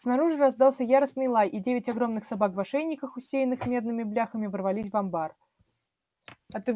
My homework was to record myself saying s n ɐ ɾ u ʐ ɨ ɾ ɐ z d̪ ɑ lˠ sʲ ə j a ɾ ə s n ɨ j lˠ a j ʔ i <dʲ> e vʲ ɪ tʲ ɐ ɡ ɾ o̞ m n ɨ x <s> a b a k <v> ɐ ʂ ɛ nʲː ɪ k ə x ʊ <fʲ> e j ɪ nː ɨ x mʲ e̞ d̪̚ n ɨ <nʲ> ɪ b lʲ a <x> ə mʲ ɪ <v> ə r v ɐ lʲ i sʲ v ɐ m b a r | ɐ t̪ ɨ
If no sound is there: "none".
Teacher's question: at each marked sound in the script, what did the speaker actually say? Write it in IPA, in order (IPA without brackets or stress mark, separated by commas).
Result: dʲ, s, v, sʲ, mʲ, x, v